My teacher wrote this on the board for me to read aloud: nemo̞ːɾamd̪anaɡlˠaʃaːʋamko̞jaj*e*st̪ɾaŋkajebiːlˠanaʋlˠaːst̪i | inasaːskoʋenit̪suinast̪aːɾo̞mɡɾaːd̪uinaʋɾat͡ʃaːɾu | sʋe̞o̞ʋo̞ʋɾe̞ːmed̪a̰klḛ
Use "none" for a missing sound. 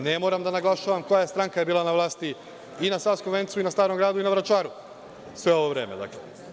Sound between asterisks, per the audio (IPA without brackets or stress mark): e